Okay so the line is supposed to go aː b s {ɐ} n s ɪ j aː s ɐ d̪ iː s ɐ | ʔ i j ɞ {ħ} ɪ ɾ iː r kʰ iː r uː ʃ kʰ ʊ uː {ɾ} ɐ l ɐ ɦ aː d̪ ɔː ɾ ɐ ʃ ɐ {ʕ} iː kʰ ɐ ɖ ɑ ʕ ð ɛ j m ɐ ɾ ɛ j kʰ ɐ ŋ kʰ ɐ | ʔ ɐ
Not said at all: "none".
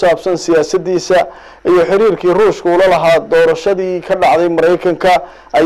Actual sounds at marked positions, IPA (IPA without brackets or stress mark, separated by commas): ɐ, ħ, l, ð